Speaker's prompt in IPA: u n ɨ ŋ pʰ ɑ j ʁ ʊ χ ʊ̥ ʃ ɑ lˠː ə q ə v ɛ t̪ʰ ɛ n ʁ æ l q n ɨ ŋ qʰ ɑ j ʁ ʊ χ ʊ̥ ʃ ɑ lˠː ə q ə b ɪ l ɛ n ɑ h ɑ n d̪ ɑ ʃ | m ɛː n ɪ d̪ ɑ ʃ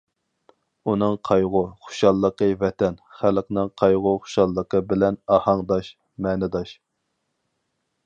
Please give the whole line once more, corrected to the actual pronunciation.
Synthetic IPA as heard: u n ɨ ŋ qʰ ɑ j ʁ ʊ χ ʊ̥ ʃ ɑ lˠː ə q ə v ɛ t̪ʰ ɛ n χ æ l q n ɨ ŋ qʰ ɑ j ʁ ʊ χ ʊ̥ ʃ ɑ lˠː ə q ə b ɪ l ɛ n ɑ h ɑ ŋ d̪ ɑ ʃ | m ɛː n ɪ d̪ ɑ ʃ